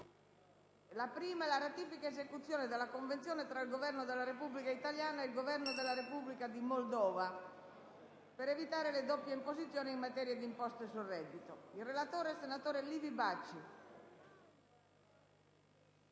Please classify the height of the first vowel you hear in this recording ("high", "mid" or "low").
low